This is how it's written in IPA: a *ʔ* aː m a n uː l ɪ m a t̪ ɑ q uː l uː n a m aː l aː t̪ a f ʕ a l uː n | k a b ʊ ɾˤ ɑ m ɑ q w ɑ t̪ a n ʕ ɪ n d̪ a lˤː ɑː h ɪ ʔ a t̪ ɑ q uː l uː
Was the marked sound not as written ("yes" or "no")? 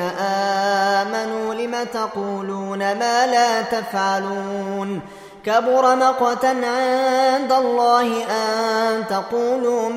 no